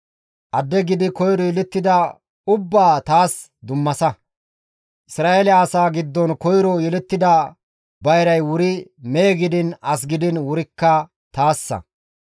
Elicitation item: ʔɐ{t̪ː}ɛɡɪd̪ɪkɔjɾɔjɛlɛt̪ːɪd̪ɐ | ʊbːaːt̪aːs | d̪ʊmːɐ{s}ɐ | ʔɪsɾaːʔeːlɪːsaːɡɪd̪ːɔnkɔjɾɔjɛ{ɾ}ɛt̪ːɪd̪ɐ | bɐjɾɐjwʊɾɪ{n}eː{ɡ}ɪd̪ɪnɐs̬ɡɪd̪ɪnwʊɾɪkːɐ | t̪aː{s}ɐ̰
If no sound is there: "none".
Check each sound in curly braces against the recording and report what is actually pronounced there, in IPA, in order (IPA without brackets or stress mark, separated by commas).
d̪ː, s, l, m, ɡ, sː